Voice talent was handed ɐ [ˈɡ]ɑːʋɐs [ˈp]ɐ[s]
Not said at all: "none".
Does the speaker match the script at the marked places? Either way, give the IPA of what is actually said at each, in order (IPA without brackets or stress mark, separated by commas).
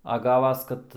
ɡ, k, t